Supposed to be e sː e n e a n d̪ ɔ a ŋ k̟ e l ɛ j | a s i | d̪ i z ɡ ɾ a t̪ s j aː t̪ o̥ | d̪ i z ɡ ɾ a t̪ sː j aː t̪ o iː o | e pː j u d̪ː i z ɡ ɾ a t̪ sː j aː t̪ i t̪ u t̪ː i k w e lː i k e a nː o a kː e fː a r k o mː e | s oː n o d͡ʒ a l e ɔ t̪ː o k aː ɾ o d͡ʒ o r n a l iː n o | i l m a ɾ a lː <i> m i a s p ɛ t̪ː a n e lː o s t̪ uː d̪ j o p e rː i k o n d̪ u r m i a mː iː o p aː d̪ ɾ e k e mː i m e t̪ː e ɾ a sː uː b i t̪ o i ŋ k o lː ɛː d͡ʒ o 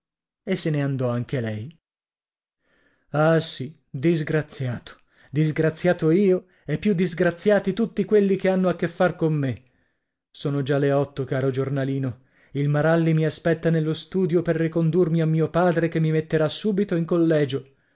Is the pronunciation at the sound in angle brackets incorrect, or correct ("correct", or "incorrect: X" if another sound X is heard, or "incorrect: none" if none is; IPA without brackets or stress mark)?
correct